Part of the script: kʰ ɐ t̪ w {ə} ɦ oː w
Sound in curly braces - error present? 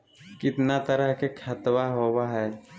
yes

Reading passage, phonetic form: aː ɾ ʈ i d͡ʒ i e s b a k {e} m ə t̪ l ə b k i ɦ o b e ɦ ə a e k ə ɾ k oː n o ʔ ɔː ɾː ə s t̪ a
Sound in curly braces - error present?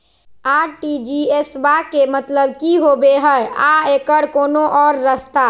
no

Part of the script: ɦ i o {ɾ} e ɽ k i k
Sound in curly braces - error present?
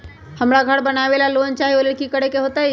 yes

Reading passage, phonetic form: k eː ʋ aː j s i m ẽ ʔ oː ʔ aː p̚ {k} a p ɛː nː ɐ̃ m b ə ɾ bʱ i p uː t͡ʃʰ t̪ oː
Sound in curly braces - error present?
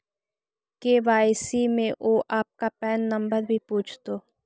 no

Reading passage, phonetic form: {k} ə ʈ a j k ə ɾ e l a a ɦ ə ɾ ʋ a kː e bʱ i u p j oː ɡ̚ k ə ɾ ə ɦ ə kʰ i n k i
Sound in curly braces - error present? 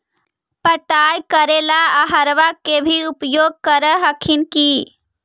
yes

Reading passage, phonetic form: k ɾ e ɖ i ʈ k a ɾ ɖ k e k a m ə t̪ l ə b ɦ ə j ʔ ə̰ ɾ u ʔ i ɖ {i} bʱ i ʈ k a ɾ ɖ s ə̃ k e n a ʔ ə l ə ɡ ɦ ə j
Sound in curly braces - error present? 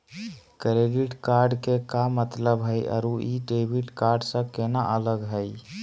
yes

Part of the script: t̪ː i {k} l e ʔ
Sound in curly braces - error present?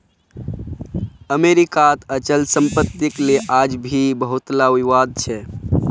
no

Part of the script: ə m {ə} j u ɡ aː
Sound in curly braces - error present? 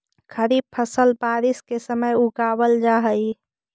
no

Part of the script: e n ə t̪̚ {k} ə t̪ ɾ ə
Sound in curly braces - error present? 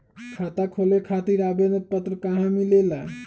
yes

